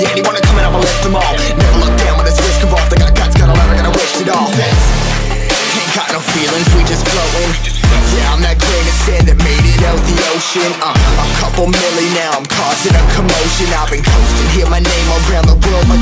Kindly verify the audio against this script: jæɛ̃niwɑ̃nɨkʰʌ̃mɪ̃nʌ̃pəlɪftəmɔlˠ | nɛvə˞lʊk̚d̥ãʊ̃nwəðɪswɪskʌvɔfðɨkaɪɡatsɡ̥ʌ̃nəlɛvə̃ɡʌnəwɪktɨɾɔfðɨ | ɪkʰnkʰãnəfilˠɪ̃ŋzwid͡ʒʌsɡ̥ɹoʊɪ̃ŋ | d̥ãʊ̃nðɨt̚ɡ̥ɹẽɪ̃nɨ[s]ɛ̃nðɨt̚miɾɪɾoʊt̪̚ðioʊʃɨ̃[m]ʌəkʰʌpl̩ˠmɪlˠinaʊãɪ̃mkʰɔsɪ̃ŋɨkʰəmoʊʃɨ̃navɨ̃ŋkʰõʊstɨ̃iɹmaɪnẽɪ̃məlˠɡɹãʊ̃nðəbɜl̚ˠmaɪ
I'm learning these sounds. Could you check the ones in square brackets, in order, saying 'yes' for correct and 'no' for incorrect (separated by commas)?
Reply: yes, no